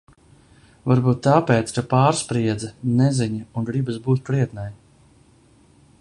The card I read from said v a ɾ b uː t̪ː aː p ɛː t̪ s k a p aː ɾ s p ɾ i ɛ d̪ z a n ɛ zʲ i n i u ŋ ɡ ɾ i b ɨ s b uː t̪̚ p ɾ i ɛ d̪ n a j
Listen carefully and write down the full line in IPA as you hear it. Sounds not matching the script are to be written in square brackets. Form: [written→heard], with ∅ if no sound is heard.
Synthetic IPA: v a ɾ b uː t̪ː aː p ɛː t̪ s k a p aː ɾ s p ɾ i ɛ d̪ z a n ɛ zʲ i [n→ɲ] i u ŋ ɡ ɾ i b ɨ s b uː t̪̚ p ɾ i ɛ [d̪→t̪] n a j